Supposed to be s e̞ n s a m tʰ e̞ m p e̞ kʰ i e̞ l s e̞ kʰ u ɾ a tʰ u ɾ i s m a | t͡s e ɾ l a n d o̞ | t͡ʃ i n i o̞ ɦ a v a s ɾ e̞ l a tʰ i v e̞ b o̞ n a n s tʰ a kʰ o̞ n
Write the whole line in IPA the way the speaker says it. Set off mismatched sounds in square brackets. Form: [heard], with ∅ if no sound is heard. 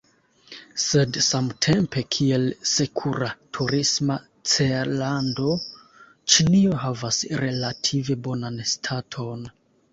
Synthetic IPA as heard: s e̞ [d] s a m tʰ e̞ m p e̞ kʰ i e̞ l s e̞ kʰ u ɾ a tʰ u ɾ i s m a | t͡s e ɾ l a n d o̞ | t͡ʃ i n i o̞ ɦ a v a s ɾ e̞ l a tʰ i v e̞ b o̞ n a n s tʰ a [tʰ] o̞ n